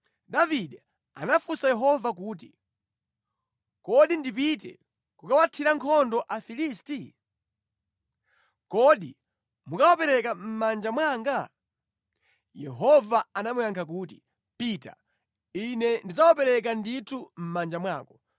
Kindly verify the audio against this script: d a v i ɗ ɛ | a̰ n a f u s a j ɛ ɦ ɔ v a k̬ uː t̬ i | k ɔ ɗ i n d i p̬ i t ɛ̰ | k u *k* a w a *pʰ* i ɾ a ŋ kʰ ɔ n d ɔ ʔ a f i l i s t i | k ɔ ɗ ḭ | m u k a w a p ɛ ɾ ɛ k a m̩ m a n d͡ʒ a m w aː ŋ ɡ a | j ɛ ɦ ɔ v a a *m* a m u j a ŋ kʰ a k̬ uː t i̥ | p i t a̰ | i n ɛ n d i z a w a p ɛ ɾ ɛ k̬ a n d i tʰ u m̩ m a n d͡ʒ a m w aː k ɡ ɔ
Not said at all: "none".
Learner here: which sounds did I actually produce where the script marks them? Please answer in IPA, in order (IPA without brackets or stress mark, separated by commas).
k, tʰ, n